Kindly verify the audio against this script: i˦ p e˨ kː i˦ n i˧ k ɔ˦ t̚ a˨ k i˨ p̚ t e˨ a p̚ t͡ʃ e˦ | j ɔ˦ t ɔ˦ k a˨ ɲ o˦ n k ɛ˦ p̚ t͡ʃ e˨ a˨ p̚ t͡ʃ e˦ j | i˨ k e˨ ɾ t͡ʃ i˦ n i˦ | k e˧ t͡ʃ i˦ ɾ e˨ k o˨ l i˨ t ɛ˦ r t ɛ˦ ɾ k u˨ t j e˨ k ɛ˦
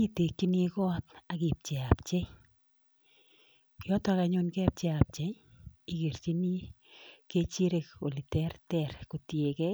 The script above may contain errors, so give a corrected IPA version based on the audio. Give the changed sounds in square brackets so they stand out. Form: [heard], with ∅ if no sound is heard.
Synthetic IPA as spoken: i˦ [t] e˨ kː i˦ n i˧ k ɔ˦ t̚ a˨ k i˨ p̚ [t͡ʃ] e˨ a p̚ t͡ʃ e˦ | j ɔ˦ t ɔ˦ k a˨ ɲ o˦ n k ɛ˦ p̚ t͡ʃ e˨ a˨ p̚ t͡ʃ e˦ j | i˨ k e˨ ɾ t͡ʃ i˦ n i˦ | k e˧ t͡ʃ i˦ ɾ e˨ k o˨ l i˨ t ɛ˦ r t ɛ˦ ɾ k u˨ t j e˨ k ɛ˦